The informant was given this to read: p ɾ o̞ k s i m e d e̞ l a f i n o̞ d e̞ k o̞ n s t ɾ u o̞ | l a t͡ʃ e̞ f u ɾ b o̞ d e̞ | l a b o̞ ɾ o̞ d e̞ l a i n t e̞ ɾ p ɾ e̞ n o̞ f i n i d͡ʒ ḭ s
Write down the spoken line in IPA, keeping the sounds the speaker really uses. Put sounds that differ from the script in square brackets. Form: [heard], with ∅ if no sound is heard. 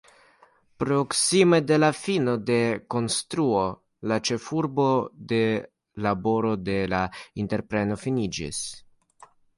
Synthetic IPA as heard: p ɾ o̞ k s i m e d e̞ l a f i n o̞ d e̞ k o̞ n s t ɾ u o̞ | l a t͡ʃ e̞ f u ɾ b o̞ d e̞ | l a b o̞ ɾ o̞ d e̞ l a i n t e̞ ɾ p ɾ e̞ n o̞ f i n i d͡ʒ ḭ s